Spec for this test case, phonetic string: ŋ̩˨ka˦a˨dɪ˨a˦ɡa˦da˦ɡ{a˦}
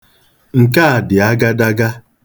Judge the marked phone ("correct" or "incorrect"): correct